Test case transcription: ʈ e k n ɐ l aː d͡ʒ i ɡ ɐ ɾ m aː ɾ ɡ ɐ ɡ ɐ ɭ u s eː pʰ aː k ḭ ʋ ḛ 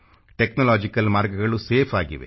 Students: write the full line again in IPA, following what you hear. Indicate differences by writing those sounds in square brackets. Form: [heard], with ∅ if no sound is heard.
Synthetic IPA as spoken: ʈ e k n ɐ l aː d͡ʒ i [k] ɐ [l] m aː ɾ ɡ ɐ ɡ ɐ ɭ u s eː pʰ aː [ɡ] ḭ ʋ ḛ

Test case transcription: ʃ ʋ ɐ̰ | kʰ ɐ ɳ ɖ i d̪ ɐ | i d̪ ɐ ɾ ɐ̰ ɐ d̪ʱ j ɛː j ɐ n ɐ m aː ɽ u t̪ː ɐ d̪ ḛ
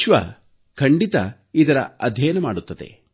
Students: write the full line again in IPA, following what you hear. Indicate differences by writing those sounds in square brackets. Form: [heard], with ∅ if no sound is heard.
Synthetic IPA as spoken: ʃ ʋ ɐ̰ | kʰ ɐ ɳ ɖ i [t̪] ɐ | i d̪ ɐ ɾ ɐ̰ ɐ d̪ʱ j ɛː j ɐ n ɐ m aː ɽ u t̪ː ɐ d̪ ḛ

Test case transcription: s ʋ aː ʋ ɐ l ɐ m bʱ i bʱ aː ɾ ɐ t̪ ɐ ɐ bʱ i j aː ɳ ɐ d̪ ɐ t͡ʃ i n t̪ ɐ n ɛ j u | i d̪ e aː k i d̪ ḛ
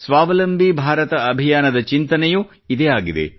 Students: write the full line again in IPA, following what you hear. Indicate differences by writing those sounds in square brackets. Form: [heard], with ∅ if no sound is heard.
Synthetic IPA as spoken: s ʋ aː ʋ ɐ l ɐ m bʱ i bʱ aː ɾ ɐ t̪ ɐ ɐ bʱ i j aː [n] ɐ d̪ ɐ t͡ʃ i n t̪ ɐ n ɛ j u | i d̪ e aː [ɡ] i d̪ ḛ

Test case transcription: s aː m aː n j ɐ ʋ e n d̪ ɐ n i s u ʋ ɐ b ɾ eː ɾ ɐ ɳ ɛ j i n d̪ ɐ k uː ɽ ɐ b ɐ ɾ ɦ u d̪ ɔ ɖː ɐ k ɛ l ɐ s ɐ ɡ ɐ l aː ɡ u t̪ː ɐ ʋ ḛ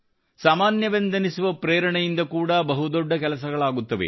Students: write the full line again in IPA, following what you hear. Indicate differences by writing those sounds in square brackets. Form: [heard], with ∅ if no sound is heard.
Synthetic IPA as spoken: s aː m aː n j ɐ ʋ e n d̪ ɐ n i s u ʋ ɐ [p] ɾ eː ɾ ɐ ɳ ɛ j i n d̪ ɐ k uː ɽ ɐ b ɐ [∅] ɦ u d̪ ɔ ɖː ɐ k ɛ l ɐ s ɐ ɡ ɐ [ɭ] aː ɡ u t̪ː ɐ ʋ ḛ

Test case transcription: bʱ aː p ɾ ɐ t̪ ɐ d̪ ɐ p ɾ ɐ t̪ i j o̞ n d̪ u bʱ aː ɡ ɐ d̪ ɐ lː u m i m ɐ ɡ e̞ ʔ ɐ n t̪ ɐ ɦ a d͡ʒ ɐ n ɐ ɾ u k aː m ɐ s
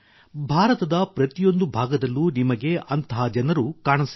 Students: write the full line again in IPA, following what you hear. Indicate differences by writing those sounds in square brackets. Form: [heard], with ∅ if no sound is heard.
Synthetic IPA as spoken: bʱ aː [∅] ɾ ɐ t̪ ɐ d̪ ɐ p ɾ ɐ t̪ i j o̞ n d̪ u bʱ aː ɡ ɐ d̪ ɐ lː u [n] i m ɐ ɡ e̞ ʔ ɐ n t̪ ɐ ɦ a d͡ʒ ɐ n ɐ ɾ u k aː [ɳ] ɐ s

